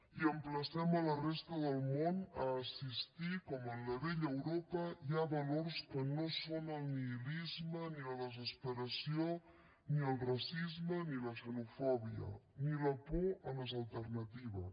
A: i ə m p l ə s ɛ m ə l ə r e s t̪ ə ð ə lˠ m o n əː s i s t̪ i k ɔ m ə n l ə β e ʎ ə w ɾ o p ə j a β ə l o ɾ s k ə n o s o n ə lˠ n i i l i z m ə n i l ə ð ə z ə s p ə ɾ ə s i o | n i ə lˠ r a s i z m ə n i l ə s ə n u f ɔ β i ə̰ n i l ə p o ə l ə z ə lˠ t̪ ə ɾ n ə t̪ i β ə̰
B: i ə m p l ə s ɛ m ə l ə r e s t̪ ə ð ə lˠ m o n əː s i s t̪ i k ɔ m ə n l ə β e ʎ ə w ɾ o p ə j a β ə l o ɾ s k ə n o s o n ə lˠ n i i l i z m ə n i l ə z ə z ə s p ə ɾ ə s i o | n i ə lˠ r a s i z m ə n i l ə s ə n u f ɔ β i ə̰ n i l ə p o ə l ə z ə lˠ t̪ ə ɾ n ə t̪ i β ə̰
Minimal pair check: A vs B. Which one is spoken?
A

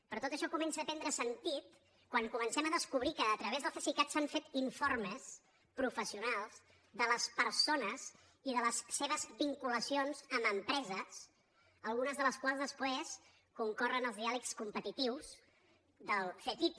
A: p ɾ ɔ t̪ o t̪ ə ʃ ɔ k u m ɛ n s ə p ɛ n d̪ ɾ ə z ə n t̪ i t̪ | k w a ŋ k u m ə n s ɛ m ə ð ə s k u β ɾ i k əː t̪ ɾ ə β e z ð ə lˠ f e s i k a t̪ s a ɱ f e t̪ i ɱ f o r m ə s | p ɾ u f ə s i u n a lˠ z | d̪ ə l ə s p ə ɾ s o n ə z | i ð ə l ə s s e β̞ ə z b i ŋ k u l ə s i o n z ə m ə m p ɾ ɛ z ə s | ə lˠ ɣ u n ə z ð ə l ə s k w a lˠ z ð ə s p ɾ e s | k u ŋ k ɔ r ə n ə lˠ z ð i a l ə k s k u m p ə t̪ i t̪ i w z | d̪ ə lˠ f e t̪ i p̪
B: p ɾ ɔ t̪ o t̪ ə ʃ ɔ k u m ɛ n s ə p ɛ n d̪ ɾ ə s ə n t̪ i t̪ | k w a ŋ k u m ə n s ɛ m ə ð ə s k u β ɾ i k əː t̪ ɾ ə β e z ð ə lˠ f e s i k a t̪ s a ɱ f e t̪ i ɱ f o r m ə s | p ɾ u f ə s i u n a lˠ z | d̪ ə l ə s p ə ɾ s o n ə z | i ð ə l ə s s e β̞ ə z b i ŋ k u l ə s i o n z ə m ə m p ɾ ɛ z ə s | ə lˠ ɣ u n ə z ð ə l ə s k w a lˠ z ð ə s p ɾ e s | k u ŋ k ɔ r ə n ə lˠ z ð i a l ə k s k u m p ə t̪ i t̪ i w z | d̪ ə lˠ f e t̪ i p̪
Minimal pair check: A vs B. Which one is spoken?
B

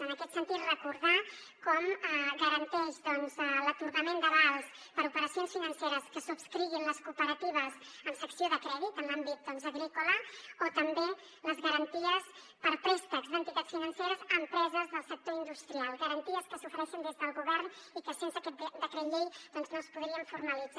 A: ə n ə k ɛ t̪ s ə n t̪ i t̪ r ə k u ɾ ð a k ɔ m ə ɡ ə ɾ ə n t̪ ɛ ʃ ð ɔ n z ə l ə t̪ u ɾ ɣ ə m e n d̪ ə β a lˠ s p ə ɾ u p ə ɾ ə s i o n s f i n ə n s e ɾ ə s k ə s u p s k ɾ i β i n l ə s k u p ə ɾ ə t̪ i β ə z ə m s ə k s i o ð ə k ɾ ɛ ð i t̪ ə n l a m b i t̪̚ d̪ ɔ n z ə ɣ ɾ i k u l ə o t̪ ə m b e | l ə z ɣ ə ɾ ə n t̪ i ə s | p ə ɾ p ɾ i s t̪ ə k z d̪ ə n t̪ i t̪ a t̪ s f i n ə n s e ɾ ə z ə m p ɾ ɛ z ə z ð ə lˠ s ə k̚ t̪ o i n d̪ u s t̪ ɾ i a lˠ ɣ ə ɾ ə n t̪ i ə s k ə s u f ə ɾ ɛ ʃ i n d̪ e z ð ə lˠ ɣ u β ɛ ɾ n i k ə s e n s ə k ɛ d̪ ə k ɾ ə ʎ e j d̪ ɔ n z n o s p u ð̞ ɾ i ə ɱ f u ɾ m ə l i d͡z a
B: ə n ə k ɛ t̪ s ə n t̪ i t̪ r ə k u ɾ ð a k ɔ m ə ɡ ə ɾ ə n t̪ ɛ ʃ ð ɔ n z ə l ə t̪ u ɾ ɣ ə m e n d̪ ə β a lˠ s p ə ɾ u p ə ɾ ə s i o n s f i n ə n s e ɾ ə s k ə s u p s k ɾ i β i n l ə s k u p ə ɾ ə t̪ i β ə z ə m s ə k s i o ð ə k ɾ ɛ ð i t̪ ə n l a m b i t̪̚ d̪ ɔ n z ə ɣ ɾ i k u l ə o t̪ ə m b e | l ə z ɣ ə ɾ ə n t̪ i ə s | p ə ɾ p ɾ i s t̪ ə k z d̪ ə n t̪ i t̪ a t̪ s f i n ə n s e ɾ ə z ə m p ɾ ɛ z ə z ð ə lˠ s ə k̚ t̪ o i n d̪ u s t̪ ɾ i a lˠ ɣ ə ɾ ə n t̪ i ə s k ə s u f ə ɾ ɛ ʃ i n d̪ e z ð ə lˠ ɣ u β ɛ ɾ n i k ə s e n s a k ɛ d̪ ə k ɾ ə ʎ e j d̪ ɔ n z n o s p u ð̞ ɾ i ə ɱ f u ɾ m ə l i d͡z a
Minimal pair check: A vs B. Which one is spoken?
A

